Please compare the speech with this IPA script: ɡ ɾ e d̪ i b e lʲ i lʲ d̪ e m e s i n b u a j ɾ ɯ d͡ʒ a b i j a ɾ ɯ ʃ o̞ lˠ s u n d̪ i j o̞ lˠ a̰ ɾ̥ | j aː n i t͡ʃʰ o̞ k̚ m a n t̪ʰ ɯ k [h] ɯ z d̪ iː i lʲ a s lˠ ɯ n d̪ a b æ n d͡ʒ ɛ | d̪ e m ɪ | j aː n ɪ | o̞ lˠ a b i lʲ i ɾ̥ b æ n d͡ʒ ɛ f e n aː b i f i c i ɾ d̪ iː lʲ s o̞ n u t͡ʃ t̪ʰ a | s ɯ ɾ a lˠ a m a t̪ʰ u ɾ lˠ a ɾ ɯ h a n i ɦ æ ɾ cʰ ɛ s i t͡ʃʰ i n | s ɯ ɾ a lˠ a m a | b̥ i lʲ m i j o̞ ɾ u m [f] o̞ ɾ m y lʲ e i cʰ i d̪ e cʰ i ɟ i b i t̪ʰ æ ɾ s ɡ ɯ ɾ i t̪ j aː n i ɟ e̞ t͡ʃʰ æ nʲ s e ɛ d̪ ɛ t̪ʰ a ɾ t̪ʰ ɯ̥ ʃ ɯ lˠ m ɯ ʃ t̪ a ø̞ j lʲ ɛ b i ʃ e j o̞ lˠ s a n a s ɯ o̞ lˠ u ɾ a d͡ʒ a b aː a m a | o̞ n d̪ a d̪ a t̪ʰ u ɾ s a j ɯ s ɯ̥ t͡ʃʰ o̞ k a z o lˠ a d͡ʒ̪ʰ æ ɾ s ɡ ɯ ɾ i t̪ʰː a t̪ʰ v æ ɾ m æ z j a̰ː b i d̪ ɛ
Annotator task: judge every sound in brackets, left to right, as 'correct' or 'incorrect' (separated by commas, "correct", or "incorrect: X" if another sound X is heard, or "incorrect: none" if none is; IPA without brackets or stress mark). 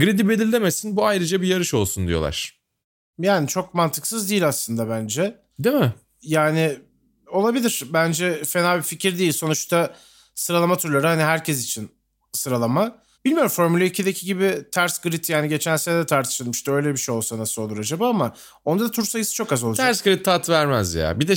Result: incorrect: s, correct